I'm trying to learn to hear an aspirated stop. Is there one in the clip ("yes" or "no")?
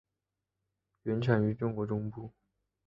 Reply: yes